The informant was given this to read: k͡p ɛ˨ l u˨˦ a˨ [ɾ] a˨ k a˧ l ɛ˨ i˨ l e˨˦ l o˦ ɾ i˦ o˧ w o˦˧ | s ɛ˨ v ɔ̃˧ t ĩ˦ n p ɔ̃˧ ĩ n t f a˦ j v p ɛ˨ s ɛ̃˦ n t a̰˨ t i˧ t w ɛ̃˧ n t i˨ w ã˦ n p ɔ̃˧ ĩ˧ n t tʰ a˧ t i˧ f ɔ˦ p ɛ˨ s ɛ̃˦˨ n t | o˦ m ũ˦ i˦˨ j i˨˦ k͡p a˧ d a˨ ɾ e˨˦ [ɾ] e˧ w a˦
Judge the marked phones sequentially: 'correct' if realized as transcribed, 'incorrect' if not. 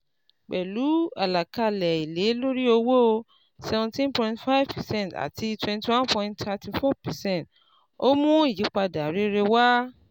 incorrect: l, correct

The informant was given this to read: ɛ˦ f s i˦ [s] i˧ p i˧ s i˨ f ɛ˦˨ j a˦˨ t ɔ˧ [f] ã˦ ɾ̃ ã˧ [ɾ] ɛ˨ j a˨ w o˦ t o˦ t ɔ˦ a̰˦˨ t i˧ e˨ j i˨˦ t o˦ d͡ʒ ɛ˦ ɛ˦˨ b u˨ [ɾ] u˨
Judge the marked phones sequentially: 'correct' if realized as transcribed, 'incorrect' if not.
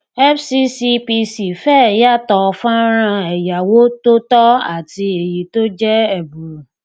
correct, correct, incorrect: none, correct

